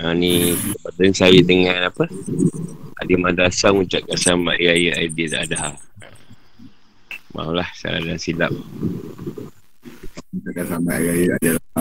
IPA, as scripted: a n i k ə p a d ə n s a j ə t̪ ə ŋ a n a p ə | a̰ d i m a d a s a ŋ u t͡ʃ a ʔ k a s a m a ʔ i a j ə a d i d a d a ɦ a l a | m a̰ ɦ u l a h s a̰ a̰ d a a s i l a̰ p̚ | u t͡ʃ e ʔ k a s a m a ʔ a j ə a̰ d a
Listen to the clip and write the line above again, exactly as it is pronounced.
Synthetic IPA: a n i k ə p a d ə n s a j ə t̪ ə ŋ a n a p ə | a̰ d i m a d a s a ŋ u t͡ʃ a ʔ k a s a m a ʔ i a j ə a d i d a d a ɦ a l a | m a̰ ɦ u l a h s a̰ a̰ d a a s i l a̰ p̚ | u t͡ʃ a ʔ k a s a m a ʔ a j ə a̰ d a